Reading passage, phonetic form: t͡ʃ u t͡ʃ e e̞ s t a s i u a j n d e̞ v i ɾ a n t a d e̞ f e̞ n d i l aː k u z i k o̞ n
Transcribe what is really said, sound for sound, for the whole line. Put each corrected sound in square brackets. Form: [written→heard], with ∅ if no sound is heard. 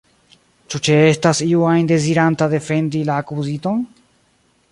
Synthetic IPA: t͡ʃ u t͡ʃ e e̞ s t a s i u a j n d e̞ [v→z] i ɾ a n t a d e̞ f e̞ n d i l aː k u z i [k→t] o̞ n

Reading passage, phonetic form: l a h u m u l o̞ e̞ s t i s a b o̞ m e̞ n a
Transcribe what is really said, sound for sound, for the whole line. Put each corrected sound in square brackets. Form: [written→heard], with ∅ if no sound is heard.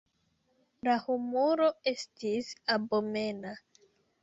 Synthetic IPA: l a h u m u [l→ɾ] o̞ e̞ s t i s a b o̞ m e̞ n a

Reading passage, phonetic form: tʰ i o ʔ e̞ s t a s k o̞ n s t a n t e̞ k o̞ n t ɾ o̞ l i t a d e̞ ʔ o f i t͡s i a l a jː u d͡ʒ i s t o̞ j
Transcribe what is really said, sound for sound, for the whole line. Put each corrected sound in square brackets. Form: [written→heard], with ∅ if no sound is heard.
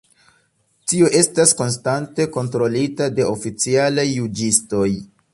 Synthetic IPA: [tʰ→t] i o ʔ e̞ s t a s k o̞ n s t a n t e̞ k o̞ n t ɾ o̞ l i t a d e̞ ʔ o f i t͡s i a l a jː u d͡ʒ i s t o̞ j

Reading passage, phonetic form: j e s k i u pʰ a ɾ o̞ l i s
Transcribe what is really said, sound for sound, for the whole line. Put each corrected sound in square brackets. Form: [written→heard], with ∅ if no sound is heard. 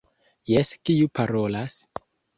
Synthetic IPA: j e s k i u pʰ a ɾ o̞ l [i→a] s

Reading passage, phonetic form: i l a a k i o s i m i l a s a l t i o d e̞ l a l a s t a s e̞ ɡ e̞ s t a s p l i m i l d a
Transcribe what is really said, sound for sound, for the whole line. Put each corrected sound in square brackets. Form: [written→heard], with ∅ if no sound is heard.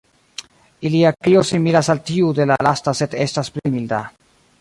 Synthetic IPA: i l [a→i] a k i o s i m i l a s a l t i [o→u] d e̞ l a l a s t a s e̞ [ɡ→d] e̞ s t a s p l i m i l d a

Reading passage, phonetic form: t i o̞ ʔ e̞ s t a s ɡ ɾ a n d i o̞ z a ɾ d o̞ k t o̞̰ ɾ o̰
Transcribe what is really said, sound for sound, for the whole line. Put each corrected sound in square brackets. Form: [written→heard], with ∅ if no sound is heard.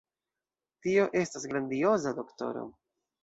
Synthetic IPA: t i o̞ ʔ e̞ s t a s ɡ ɾ a n d i o̞ z a [ɾ→∅] d o̞ k t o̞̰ ɾ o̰

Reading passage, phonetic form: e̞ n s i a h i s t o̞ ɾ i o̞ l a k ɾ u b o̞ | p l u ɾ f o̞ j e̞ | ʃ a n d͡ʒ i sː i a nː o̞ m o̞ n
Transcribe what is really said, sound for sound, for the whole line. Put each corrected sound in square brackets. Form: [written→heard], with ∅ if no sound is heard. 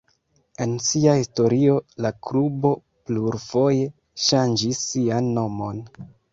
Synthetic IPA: e̞ n s i a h i s t o̞ ɾ i o̞ l a k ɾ u b o̞ | p l u ɾ f o̞ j e̞ | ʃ a n d͡ʒ i sː i a nː o̞ m o̞ n

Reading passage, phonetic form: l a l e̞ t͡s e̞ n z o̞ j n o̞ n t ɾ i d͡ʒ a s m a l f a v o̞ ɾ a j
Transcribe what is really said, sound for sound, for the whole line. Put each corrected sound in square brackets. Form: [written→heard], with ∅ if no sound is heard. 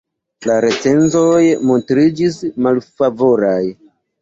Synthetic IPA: l a [l→ɾ] e̞ t͡s e̞ n z o̞ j [n→m] o̞ n t ɾ i d͡ʒ [a→i] s m a l f a v o̞ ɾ a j

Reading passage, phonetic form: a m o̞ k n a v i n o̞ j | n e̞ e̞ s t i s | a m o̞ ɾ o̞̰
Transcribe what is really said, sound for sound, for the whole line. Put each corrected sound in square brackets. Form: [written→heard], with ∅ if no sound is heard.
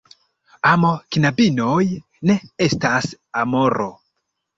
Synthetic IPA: a m o̞ k n a [v→b] i n o̞ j | n e̞ e̞ s t [i→a] s | a m o̞ ɾ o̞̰

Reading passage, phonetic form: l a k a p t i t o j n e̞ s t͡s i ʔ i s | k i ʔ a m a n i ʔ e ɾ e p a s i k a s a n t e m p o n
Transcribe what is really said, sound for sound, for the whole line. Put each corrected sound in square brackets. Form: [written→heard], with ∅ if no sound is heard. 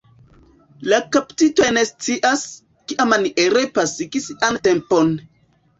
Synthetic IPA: l a k a p t i t o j n e̞ s t͡s i ʔ [i→a] s | k i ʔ a m a n i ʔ e ɾ e p a s i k [a→i] s a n t e m p o n

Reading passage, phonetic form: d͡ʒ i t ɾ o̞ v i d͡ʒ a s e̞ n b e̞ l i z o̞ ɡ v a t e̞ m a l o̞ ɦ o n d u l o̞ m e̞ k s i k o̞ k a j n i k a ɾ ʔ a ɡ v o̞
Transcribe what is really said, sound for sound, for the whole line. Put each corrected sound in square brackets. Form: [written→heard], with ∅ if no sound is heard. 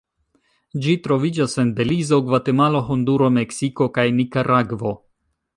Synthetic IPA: d͡ʒ i t ɾ o̞ v i d͡ʒ a s e̞ n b e̞ l i z o̞ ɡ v a t e̞ m a l o̞ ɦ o n d u [l→ɾ] o̞ m e̞ k s i k o̞ k a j n i k a ɾ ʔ a ɡ v o̞

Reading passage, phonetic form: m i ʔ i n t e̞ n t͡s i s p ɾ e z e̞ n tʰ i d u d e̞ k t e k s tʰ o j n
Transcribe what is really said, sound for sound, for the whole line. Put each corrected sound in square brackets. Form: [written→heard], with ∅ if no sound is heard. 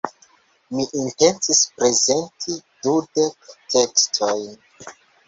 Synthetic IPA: m i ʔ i n t e̞ n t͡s i s p ɾ e z e̞ n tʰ i d u d e̞ k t e k s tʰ o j n

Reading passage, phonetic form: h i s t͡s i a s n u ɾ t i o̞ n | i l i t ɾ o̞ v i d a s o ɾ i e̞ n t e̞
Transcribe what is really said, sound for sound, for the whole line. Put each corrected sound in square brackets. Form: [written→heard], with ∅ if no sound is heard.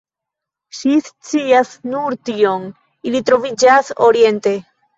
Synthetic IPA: [h→ʃ] i s t͡s i a s n u ɾ t i o̞ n | i l i t ɾ o̞ v i [d→d͡ʒ] a s o ɾ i e̞ n t e̞

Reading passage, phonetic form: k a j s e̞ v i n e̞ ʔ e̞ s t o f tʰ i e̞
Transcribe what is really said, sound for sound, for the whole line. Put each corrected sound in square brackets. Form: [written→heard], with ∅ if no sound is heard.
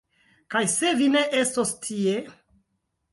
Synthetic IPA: k a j s e̞ v i n e̞ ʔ e̞ s t o [f→s] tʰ i e̞

